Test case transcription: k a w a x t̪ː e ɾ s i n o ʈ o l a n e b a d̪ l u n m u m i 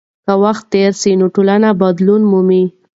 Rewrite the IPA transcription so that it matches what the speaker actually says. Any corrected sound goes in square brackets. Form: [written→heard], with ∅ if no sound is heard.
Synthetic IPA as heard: k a w a x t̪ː e ɾ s i n o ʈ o l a n [e→a] b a d̪ l u n m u m i